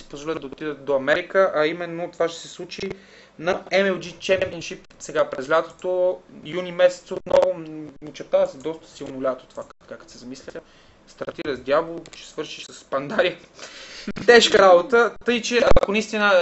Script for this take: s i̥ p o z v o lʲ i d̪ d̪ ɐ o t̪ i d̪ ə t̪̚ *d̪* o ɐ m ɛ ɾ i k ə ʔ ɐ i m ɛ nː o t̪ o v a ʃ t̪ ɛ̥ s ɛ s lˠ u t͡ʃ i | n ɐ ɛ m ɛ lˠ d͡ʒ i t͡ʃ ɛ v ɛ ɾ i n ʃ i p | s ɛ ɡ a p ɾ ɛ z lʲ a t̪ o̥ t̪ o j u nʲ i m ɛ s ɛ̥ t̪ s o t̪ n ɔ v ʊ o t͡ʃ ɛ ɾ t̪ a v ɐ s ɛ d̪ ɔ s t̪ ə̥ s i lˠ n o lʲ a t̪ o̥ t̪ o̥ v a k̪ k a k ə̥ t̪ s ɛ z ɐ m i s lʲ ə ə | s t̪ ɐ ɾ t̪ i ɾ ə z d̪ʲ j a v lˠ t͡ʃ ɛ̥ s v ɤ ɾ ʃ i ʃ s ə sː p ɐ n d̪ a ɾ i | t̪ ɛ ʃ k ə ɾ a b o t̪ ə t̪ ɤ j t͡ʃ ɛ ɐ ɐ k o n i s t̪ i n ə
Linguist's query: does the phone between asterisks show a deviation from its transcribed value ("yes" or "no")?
no